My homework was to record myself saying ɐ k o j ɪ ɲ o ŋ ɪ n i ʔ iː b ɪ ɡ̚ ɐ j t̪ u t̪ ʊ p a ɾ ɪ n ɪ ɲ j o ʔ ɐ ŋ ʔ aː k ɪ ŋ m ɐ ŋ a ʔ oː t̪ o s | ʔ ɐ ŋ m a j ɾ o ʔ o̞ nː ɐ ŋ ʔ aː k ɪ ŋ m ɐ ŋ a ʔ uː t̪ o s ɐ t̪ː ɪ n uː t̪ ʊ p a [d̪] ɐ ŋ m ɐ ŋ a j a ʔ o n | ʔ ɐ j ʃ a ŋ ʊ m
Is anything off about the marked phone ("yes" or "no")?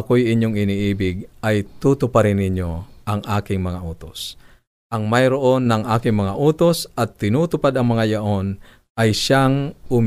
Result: no